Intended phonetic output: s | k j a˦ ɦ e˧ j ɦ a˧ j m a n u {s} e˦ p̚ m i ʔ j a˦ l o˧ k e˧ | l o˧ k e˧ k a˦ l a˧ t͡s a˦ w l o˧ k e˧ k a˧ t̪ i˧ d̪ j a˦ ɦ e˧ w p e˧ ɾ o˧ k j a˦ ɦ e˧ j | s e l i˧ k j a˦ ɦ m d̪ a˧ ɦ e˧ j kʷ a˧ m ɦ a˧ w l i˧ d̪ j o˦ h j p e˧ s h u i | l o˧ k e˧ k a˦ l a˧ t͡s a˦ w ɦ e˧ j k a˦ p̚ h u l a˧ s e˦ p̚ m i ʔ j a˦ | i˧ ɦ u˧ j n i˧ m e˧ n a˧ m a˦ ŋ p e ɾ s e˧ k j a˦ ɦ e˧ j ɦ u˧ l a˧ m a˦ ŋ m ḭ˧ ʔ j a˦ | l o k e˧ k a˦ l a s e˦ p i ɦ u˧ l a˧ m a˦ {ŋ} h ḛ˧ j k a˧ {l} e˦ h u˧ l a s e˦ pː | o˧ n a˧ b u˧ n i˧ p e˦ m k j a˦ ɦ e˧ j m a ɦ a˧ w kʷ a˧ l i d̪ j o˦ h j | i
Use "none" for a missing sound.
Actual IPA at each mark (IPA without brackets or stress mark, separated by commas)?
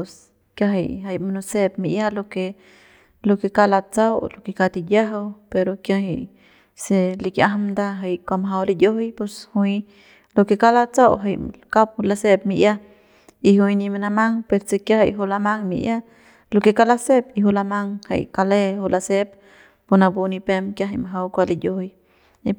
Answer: s, ŋ, l